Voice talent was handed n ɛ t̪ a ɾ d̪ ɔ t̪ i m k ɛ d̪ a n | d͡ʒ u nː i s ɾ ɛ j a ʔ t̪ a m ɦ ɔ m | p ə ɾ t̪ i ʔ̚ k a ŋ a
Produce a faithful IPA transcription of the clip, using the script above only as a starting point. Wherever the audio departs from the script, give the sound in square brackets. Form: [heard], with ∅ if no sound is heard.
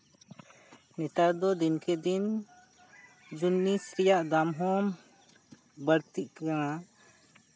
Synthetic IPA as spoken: n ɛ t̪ a ɾ d̪ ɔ [d̪] i [n] k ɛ d̪ [i] n | d͡ʒ u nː i s ɾ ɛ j a ʔ [d̪] a m ɦ ɔ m | [b] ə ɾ t̪ i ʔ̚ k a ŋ a

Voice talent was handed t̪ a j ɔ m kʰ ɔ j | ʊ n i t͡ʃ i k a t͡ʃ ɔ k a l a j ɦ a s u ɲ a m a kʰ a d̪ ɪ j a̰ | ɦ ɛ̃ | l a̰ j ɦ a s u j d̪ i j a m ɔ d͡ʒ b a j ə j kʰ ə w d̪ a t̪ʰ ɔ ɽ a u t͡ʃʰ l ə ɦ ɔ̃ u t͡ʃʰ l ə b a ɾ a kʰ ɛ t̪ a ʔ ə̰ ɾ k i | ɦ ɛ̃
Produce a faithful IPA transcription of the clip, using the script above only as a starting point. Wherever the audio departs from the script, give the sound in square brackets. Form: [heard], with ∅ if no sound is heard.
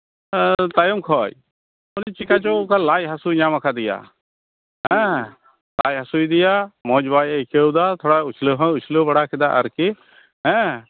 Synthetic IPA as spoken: t̪ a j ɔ m kʰ ɔ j | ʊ n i t͡ʃ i k a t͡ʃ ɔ k a l a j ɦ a s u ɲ a m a kʰ a d̪ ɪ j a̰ | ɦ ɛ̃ | l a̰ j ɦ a s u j d̪ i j a m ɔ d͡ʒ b a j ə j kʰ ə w d̪ a t̪ʰ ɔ ɽ a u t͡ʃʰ l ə ɦ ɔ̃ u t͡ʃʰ l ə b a [ɽ] a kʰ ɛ [d̪] a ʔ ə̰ ɾ k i | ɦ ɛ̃

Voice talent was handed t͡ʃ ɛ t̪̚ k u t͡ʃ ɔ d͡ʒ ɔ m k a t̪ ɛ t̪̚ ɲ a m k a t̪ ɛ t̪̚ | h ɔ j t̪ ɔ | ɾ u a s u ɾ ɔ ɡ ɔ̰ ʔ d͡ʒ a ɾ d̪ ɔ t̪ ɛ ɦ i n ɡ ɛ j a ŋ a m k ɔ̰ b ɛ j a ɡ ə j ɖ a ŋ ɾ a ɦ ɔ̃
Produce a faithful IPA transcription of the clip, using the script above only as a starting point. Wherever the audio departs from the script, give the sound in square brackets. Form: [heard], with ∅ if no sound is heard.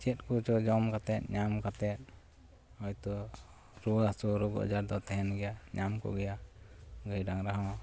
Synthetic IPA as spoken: t͡ʃ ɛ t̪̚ k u t͡ʃ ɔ d͡ʒ ɔ m k a t̪ ɛ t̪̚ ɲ a m k a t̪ ɛ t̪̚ | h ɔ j t̪ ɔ | ɾ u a s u ɾ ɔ ɡ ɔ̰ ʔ d͡ʒ a ɾ d̪ ɔ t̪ ɛ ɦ [ɛ] n ɡ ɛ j a [ɲ] a m k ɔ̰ [ɡ] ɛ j a ɡ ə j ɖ a ŋ ɾ a ɦ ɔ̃

